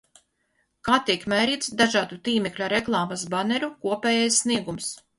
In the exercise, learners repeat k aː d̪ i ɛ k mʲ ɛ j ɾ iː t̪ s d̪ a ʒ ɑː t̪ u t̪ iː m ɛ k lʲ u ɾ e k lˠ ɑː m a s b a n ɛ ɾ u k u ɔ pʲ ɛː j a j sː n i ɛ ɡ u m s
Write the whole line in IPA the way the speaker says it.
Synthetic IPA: k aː t̪ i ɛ k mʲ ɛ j ɾ iː t̪ s d̪ a ʒ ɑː d̪ u t̪ iː m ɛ k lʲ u ɾ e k lˠ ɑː m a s b a n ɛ ɾ u k u ɔ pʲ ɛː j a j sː n i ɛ ɡ u m s